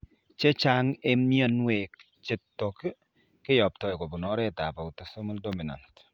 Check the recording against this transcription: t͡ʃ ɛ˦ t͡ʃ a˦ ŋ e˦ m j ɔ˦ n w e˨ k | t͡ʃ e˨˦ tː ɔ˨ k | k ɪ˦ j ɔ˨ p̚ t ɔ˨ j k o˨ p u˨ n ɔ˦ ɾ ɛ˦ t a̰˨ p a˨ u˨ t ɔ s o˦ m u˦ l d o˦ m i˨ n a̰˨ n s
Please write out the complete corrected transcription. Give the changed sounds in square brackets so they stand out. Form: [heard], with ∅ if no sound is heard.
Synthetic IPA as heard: t͡ʃ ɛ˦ t͡ʃ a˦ ŋ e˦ m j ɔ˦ n w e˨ k | t͡ʃ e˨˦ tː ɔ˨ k | k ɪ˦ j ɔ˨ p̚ t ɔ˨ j k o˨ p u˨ n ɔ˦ ɾ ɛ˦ t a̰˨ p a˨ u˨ t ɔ s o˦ m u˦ l d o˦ m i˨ n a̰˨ n [t]